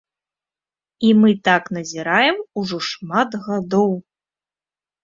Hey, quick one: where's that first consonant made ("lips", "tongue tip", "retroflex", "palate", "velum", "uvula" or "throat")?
lips